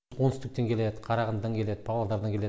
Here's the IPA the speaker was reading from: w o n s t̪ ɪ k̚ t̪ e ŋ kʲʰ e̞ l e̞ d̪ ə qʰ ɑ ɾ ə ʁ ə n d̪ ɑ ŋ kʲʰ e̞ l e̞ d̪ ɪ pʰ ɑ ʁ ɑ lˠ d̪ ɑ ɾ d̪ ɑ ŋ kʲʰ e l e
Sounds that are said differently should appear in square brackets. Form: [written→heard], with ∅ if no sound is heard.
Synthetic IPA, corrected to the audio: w o n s t̪ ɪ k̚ t̪ e ŋ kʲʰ e̞ l e̞ d̪ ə qʰ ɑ ɾ [ə→ɑ] ʁ ə n d̪ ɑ ŋ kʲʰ e̞ l e̞ d̪ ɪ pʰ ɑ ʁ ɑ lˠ d̪ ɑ ɾ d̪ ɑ ŋ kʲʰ e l e

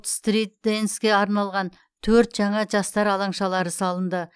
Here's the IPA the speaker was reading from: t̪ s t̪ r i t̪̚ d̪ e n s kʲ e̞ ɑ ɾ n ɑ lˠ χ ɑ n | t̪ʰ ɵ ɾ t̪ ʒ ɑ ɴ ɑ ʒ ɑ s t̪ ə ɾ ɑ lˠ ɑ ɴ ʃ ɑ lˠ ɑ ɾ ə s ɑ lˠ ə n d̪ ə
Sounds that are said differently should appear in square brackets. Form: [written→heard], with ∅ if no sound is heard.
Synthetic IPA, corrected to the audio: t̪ s t̪ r i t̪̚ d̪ e n s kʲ e̞ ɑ ɾ n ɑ lˠ [χ→ʁ] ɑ n | t̪ʰ ɵ ɾ t̪ ʒ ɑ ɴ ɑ ʒ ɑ s t̪ [ə→ɑ] ɾ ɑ lˠ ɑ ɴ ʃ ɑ lˠ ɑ ɾ ə s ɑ lˠ ə n d̪ ə

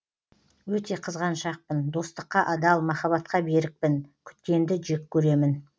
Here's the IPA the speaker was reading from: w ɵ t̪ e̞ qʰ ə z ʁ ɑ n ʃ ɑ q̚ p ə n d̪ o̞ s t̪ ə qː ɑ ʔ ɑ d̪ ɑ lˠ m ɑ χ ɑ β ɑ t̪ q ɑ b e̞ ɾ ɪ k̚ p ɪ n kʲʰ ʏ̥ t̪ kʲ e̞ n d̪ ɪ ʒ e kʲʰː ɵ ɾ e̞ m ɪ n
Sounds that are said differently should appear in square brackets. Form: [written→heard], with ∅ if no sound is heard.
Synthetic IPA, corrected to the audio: w ɵ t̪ e̞ qʰ ə z ʁ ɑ n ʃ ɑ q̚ p ə n d̪ o̞ s t̪ ə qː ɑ ʔ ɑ d̪ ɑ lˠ m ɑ χ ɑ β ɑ t̪ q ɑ b e̞ ɾ ɪ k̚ p ɪ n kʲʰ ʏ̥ t̪ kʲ e̞ n d̪ ɪ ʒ e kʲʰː ɵ ɾ e̞ m ɪ n

